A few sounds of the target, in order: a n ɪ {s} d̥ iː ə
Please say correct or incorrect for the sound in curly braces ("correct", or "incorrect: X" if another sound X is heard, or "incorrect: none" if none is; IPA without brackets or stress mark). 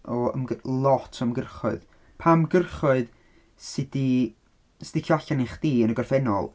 incorrect: χ